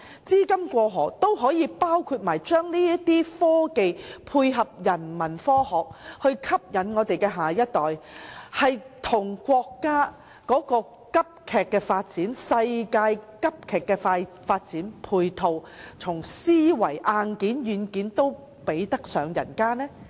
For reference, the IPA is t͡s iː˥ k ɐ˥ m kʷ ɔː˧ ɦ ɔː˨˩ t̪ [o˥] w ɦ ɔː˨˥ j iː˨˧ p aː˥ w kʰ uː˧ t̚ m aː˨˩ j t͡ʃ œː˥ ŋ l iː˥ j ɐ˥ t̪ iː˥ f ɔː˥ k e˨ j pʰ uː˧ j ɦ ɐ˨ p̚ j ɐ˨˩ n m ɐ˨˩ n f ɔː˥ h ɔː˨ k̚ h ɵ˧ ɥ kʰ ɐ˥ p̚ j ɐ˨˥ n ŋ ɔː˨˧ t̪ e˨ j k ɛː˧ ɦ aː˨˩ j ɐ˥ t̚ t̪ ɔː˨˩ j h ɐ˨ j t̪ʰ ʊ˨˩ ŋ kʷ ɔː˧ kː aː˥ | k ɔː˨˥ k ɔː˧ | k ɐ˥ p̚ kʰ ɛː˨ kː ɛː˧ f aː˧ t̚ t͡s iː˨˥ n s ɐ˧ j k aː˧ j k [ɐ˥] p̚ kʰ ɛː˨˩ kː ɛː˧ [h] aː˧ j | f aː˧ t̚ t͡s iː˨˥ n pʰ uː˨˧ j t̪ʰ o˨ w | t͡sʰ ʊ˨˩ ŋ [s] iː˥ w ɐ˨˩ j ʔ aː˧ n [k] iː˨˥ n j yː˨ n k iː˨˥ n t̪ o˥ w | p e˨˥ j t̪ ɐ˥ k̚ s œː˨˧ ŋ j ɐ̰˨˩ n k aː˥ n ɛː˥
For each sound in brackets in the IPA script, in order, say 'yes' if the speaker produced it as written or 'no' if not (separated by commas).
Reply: yes, yes, no, yes, yes